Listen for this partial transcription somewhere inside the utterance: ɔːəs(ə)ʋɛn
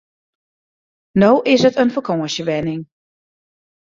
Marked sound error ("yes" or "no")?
no